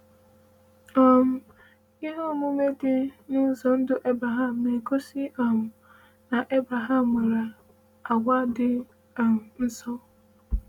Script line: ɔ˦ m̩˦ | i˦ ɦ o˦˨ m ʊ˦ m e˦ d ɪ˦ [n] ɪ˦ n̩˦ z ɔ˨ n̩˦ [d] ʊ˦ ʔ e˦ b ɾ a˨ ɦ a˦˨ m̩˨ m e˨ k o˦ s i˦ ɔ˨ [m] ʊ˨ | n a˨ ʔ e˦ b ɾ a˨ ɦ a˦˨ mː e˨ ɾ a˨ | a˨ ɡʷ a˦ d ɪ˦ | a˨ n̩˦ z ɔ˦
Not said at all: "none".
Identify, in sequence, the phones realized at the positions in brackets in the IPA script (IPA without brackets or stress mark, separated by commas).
n, d, m